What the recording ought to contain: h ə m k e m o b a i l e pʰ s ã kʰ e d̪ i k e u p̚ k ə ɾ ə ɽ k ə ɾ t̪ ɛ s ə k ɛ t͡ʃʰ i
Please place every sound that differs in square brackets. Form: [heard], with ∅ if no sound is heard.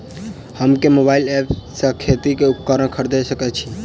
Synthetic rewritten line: h ə m k e m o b a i l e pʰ s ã kʰ e [t̪] i k e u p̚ k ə ɾ ə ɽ [kʰ] ə ɾ [d̪] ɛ s ə k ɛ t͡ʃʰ i